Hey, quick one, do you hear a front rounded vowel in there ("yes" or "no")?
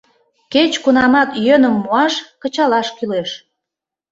yes